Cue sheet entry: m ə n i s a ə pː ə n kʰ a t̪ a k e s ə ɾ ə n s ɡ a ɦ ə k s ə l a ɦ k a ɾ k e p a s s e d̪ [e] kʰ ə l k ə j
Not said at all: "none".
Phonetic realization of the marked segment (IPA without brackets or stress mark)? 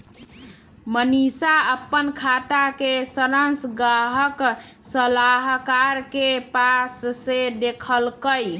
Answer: e